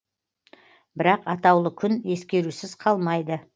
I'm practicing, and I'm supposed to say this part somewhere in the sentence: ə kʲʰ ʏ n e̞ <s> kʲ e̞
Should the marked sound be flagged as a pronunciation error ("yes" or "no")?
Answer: no